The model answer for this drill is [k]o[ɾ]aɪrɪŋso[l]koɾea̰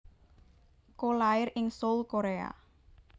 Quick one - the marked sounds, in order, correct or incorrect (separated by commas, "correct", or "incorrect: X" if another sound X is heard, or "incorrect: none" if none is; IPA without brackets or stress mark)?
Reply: correct, incorrect: l, correct